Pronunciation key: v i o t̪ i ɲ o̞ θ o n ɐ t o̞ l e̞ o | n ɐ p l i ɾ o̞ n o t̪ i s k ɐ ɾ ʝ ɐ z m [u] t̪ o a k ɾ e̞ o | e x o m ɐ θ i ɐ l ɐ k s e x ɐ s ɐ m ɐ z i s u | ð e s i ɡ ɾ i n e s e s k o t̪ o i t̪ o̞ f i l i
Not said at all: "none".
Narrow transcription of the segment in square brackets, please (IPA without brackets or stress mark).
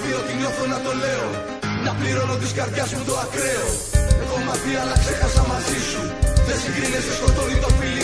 u